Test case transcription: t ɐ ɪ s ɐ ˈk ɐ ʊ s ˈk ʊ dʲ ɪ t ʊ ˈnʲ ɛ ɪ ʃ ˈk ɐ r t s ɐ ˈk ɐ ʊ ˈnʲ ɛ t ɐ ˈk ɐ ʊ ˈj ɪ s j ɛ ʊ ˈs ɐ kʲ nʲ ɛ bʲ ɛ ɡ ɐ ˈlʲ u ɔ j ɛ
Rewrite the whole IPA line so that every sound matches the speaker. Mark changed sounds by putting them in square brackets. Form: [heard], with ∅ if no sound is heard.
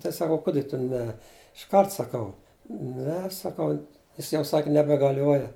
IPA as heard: t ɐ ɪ s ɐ ˈk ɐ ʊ [∅] ˈk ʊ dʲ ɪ t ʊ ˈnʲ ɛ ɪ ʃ ˈk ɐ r t s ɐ ˈk ɐ ʊ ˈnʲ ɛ [s] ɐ ˈk ɐ ʊ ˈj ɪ s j ɛ ʊ ˈs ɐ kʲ nʲ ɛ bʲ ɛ ɡ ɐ ˈlʲ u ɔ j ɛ

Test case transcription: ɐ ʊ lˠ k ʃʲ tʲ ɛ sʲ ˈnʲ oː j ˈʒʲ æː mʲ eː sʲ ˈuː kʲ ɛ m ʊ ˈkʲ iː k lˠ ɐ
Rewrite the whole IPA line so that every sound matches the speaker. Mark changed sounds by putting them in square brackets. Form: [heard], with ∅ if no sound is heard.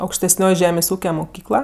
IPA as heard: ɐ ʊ [∅] k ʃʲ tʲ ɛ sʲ ˈnʲ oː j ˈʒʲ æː mʲ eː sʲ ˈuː kʲ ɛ m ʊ ˈkʲ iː k lˠ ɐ

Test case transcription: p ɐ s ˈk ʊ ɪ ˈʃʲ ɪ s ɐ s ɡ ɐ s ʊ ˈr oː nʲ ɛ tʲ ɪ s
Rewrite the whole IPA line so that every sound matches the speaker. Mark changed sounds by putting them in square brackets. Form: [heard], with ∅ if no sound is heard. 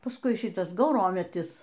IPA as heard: p ɐ s ˈk ʊ ɪ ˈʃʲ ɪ [t] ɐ s ɡ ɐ [∅] ʊ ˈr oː [mʲ] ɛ tʲ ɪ s

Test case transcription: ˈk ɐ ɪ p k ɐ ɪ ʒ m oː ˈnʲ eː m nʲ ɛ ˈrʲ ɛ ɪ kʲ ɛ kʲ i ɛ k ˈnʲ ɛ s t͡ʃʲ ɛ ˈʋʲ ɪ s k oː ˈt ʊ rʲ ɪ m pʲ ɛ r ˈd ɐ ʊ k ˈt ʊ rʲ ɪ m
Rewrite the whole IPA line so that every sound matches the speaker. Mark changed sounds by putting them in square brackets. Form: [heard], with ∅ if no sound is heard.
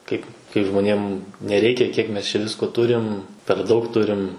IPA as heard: ˈk ɐ ɪ p k ɐ ɪ ʒ m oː ˈnʲ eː m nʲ ɛ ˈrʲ ɛ ɪ kʲ ɛ kʲ i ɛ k [ˈmʲ] ɛ s t͡ʃʲ ɛ ˈʋʲ ɪ s k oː ˈt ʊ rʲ ɪ m pʲ ɛ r ˈd ɐ ʊ k ˈt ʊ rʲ ɪ m

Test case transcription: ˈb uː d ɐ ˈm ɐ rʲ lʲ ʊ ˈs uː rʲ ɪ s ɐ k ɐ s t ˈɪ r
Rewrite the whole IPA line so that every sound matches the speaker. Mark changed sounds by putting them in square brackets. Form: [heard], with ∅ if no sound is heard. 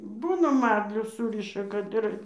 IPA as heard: ˈb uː [n] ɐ ˈm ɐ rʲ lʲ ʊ ˈs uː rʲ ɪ [ʃ] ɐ k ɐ [∅] t ˈɪ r

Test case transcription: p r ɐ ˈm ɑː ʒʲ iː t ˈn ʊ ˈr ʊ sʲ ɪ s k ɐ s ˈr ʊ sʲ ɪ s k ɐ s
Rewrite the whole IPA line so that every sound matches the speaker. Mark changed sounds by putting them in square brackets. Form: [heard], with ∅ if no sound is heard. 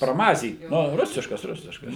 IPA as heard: p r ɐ ˈm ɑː [zʲ] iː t ˈn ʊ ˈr ʊ sʲ ɪ [ʃ] k ɐ s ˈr ʊ sʲ ɪ [ʃ] k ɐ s

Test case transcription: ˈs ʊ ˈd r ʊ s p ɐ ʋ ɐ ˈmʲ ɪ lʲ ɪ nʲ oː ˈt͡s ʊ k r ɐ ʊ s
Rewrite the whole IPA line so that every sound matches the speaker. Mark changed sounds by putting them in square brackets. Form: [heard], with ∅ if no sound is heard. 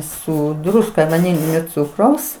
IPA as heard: ˈs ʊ ˈd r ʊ s [k] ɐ ʋ ɐ [ˈnʲ] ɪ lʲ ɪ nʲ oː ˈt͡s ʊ k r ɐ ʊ s

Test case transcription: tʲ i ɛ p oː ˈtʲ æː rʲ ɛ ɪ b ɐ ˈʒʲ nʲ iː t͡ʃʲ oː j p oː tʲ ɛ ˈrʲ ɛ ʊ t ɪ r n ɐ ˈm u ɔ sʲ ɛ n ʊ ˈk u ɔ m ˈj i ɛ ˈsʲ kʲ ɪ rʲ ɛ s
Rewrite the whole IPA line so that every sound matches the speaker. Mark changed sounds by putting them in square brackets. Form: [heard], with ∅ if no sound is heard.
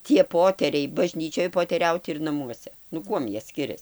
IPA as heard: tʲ i ɛ p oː ˈtʲ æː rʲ ɛ ɪ b ɐ ˈʒʲ nʲ iː t͡ʃʲ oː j p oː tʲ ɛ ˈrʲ ɛ ʊ t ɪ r n ɐ ˈm u ɔ sʲ ɛ n ʊ ˈk u ɔ m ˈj i ɛ ˈsʲ kʲ ɪ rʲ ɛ s

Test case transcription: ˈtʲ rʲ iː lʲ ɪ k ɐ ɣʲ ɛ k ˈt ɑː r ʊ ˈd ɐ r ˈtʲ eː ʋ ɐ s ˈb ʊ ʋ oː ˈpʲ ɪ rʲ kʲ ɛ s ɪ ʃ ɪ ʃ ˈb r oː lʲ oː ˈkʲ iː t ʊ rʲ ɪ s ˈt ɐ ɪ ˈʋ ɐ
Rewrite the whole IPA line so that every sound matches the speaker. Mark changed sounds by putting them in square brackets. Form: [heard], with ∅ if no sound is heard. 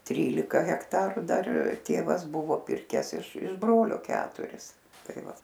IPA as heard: ˈtʲ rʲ iː lʲ ɪ k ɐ ɣʲ ɛ k ˈt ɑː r ʊ ˈd ɐ r ˈtʲ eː ʋ ɐ s ˈb ʊ ʋ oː ˈpʲ ɪ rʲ kʲ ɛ s ɪ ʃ ɪ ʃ ˈb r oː lʲ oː ˈkʲ [æː] t ʊ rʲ ɪ s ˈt ɐ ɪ ˈʋ ɐ

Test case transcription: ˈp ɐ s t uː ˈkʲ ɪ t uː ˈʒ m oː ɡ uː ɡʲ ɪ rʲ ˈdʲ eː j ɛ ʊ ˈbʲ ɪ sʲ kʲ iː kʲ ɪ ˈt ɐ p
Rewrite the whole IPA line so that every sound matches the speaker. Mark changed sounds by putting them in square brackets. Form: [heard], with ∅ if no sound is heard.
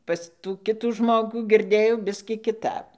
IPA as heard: ˈp ɐ s t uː ˈkʲ ɪ t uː ˈʒ m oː ɡ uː ɡʲ ɪ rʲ ˈdʲ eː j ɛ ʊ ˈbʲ ɪ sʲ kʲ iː kʲ ɪ ˈt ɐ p

